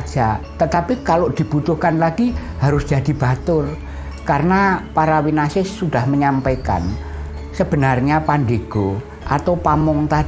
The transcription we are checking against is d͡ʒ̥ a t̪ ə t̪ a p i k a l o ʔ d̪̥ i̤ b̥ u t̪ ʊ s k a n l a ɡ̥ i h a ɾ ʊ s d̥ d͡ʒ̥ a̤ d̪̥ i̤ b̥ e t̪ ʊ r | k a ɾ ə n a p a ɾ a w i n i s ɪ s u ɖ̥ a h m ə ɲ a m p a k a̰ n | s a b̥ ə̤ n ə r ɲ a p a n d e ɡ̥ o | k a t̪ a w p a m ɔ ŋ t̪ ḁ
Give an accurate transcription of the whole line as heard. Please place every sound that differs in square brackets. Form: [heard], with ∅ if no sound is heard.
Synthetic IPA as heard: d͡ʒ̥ a t̪ ə t̪ a p i k a l o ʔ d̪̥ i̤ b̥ u t̪ ʊ [h] k a n l a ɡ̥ i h a ɾ ʊ s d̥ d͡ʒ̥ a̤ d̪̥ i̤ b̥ [a] t̪ ʊ r | k a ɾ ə n a p a ɾ a w i n [a] s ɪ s u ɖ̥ a h m ə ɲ a m p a k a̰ n | s [ə] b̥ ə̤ n [a] r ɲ a p a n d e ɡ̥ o | [ʔ] a t̪ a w p a m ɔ ŋ t̪ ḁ